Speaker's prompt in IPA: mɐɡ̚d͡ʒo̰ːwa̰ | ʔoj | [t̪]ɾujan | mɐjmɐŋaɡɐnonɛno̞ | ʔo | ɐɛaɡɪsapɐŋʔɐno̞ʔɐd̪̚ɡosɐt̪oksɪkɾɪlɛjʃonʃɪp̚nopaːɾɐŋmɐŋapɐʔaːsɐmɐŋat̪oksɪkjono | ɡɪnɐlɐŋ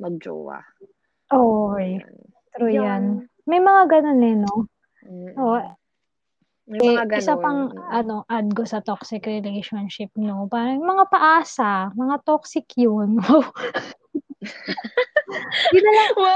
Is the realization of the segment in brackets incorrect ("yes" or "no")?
no